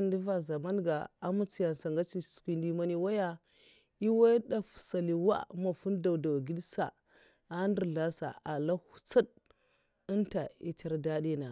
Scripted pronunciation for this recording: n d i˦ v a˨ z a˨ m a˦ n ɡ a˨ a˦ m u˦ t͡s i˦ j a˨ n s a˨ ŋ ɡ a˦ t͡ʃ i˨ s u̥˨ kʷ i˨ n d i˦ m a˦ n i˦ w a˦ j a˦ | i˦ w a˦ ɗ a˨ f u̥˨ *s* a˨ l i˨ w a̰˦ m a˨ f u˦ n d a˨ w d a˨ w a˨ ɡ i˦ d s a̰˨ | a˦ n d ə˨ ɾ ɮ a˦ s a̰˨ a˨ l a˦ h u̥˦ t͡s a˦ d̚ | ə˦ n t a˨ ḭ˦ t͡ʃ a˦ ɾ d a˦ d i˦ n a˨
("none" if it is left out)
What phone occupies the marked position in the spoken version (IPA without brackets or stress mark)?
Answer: s